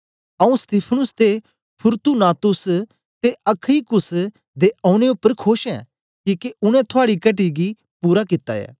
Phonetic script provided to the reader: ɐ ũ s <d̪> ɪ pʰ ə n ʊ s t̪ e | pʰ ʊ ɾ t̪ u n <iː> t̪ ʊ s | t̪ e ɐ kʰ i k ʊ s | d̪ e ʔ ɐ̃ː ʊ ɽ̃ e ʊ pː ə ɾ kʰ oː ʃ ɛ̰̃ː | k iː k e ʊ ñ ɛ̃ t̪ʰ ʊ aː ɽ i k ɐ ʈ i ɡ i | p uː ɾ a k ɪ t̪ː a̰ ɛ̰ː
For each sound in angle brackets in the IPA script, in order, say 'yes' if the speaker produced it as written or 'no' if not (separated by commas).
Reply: no, no